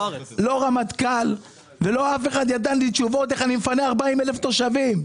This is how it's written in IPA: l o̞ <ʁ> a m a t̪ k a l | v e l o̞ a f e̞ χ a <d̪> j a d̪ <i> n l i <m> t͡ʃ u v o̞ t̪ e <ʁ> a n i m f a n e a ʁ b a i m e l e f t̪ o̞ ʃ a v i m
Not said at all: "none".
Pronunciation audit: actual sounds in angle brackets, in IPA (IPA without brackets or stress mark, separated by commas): ʁ, d̪, a, none, χ